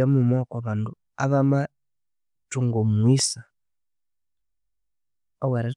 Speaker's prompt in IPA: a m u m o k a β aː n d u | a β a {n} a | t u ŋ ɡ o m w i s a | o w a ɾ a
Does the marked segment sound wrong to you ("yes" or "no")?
yes